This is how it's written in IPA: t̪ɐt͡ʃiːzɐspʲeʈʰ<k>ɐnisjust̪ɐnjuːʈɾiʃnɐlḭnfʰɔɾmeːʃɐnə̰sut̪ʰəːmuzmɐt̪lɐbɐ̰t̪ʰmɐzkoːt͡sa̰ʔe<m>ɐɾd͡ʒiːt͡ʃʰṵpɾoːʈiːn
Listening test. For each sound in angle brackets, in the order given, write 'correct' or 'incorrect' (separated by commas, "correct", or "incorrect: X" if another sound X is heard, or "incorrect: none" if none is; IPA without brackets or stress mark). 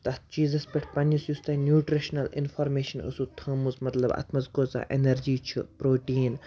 incorrect: p, incorrect: n